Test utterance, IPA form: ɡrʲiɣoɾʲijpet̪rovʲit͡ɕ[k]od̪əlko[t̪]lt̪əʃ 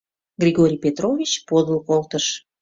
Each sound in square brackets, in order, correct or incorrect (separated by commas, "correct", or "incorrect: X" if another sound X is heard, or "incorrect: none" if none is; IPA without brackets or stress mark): incorrect: p, incorrect: none